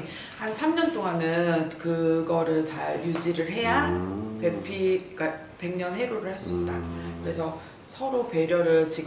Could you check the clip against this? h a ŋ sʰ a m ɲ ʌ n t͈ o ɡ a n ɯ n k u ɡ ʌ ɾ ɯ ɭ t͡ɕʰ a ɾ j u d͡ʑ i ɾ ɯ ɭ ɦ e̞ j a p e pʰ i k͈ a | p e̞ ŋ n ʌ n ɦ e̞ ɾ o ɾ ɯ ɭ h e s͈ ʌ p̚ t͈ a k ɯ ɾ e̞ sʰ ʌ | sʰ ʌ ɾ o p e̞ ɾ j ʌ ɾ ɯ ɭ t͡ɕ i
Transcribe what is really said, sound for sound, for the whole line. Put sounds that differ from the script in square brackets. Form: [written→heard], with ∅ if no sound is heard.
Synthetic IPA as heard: h a [ŋ→n] sʰ a m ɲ ʌ n t͈ o [ɡ→ŋ] a n ɯ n k [u→ɯ] ɡ ʌ ɾ ɯ ɭ [t͡ɕʰ→t͡ɕ] a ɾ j u d͡ʑ i ɾ ɯ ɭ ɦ e̞ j a p e pʰ i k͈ a | p e̞ ŋ [n→ɲ] ʌ n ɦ e̞ ɾ o ɾ ɯ ɭ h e s͈ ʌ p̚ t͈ a k ɯ ɾ e̞ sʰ ʌ | sʰ ʌ ɾ o p e̞ ɾ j ʌ ɾ ɯ ɭ t͡ɕ i